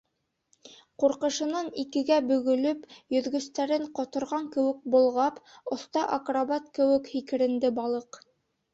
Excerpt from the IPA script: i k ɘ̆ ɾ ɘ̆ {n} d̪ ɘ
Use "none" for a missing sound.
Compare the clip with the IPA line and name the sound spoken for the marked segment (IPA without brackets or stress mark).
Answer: n